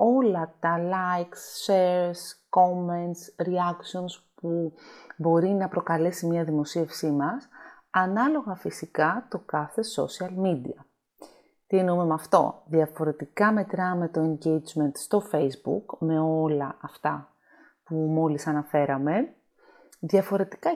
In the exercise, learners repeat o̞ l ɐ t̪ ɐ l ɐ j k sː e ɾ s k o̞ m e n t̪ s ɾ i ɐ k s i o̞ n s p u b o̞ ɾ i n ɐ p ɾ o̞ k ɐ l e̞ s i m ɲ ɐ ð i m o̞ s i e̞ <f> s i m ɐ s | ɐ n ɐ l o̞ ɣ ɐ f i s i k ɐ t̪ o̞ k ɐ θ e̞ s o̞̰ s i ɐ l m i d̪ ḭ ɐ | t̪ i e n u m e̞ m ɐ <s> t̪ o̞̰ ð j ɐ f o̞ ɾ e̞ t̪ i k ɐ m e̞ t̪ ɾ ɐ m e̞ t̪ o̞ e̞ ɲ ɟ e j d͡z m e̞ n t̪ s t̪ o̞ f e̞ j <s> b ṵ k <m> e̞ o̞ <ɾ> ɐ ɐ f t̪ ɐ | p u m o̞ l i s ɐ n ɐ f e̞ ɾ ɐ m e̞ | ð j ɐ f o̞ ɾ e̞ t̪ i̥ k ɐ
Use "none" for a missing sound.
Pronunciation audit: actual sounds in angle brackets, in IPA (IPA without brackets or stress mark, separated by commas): f, f, z, m, l